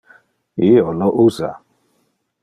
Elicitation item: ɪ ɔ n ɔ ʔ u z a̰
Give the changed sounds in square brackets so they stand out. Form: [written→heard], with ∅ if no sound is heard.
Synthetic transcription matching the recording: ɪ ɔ n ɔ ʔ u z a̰